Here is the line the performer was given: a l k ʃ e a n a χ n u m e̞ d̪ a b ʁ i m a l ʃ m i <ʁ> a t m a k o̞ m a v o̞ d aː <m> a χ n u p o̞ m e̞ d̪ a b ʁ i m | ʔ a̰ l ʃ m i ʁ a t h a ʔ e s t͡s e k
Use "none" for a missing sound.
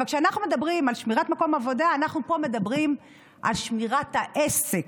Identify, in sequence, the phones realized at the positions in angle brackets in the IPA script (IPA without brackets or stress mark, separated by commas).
ʁ, n